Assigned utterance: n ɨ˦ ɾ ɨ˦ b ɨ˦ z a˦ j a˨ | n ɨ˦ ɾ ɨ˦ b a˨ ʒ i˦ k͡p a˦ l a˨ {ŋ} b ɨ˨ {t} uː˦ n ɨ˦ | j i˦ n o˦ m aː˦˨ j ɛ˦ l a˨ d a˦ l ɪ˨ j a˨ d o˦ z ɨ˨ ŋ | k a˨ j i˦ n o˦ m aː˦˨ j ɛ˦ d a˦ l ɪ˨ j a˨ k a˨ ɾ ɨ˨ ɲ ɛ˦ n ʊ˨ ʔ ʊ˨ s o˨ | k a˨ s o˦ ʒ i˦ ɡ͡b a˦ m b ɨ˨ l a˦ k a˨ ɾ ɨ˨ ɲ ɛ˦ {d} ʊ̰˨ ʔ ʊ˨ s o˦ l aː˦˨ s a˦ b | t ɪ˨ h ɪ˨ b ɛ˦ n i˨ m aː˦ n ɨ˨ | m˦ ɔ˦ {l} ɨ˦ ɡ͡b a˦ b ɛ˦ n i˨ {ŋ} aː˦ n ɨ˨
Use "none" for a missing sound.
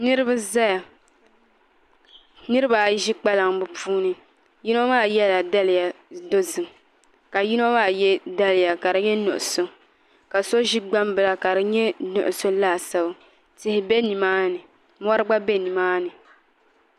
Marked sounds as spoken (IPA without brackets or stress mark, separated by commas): ŋ, p, n, ɾ, m